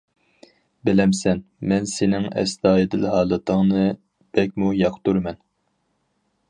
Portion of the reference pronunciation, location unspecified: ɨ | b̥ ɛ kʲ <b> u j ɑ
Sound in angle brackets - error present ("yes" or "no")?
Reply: yes